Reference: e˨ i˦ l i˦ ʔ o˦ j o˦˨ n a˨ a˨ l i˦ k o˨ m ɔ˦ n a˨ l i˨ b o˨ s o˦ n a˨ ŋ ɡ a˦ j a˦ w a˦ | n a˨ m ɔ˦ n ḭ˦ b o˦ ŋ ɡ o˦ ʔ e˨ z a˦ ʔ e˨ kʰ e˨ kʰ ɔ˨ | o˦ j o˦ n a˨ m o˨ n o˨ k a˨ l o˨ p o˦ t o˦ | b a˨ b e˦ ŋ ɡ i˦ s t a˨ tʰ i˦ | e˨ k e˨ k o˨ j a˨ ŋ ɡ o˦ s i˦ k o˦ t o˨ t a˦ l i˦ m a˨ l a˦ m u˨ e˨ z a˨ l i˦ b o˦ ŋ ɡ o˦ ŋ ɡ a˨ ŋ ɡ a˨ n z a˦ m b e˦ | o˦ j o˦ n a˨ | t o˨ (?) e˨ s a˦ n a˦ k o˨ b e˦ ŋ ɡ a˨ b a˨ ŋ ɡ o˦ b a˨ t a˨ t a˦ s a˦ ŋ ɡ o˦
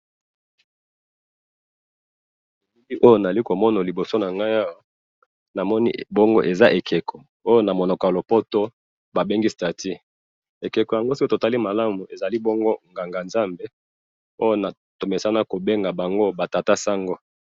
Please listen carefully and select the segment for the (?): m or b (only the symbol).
m